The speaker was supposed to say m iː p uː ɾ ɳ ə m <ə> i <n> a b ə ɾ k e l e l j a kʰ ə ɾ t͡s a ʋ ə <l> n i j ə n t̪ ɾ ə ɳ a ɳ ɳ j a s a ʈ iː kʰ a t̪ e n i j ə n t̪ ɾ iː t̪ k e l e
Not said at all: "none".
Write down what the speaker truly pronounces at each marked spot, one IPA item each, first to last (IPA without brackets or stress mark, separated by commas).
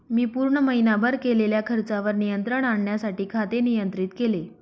ə, n, ɾ